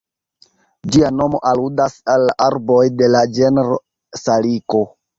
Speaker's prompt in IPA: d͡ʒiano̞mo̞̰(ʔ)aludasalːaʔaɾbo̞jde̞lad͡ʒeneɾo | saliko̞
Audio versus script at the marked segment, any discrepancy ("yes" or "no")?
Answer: no